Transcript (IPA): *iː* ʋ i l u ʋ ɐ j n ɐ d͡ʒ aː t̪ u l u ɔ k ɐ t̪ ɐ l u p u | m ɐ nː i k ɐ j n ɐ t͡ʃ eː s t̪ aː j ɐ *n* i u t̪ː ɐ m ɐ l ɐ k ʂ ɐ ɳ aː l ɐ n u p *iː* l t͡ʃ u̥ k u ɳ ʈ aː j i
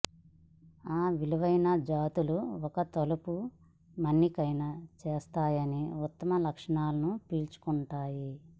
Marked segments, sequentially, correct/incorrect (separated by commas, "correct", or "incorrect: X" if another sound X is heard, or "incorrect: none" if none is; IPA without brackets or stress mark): incorrect: aː, correct, correct